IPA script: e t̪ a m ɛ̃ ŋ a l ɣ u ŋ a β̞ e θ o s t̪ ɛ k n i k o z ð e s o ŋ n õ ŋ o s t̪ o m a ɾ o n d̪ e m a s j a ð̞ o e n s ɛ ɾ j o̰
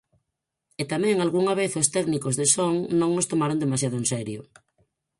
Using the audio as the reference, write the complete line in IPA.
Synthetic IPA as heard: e t̪ a m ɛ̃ ŋ a l ɣ u ŋ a β̞ e θ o s t̪ ɛ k n i k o z ð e s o ŋ n õ ŋ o s t̪ o m a ɾ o n d̪ e m a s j a ð̞ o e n s ɛ ɾ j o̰